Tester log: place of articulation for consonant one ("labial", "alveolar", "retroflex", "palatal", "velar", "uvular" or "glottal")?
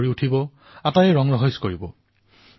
alveolar